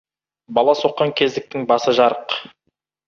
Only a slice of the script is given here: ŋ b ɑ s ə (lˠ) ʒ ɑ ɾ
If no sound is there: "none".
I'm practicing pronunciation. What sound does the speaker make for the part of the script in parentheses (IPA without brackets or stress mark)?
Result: none